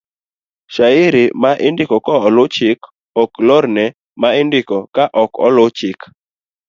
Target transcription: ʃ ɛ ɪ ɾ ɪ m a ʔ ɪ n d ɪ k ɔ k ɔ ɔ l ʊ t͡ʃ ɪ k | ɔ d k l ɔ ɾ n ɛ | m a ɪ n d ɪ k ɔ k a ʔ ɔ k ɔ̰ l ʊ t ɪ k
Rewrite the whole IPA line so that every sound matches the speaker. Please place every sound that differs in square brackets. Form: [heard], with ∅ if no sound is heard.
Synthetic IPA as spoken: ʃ [a] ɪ ɾ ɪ m a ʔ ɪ n d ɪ k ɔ k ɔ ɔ l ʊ t͡ʃ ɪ k | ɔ [∅] k l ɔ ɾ n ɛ | m a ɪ n d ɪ k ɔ k a ʔ ɔ k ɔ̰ l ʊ [t͡ʃ] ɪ k